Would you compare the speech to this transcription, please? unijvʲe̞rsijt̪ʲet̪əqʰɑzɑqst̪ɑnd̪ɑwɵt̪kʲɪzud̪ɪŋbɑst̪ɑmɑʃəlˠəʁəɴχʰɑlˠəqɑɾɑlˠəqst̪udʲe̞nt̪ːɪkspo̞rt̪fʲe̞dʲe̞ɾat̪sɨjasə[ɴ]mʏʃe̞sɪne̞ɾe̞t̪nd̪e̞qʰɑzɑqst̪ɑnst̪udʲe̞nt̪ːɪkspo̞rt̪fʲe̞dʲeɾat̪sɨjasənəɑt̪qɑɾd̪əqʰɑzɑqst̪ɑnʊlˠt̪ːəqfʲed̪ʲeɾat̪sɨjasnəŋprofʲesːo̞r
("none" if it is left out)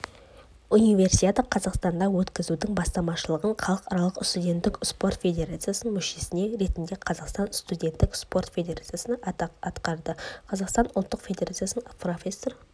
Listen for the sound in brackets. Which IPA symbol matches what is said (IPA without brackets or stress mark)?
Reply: n